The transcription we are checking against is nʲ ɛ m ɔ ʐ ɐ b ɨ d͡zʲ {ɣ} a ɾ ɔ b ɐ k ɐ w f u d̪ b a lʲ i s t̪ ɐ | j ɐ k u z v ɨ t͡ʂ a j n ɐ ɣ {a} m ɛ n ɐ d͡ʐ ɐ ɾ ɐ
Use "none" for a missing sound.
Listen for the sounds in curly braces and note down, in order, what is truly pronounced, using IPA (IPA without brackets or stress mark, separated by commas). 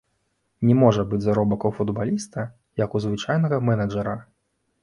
z, ɐ